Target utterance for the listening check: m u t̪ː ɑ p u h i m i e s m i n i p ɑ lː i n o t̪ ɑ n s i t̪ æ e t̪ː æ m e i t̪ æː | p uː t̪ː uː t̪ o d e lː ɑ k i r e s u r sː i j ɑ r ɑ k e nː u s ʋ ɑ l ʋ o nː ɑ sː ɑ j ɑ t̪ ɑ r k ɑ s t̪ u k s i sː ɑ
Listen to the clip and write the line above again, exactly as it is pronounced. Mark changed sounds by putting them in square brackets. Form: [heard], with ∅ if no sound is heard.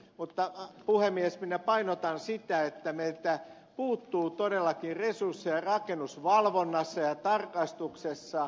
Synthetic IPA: m u t̪ː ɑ p u h [e] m i e s m i n [æ] p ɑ [∅] i n o t̪ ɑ n s i t̪ æ e t̪ː æ m e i t̪ [æ] | p uː t̪ː uː t̪ o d e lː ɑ k i r e s u r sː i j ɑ r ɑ k e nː u s ʋ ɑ l ʋ o nː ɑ sː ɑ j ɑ t̪ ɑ r k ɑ s t̪ u k s [e] sː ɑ